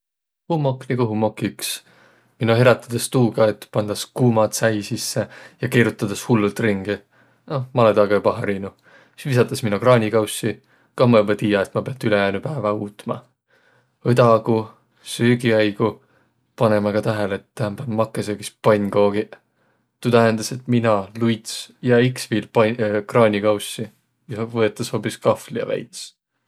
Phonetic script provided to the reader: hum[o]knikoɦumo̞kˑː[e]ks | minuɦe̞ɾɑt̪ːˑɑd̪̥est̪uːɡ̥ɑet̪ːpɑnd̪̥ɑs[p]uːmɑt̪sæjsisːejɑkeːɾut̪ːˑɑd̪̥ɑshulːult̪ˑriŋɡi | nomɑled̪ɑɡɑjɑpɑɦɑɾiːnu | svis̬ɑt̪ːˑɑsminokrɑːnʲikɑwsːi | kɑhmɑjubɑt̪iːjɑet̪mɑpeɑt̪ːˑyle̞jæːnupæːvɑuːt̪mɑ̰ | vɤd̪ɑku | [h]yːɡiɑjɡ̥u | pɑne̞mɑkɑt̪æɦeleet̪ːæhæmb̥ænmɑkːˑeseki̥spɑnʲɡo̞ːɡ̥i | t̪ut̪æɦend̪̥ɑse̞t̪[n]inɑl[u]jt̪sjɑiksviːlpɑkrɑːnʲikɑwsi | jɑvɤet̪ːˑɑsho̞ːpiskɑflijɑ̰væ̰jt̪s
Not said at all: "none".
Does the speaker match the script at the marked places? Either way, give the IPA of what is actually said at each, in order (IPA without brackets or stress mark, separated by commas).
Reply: o, i, k, s, m, u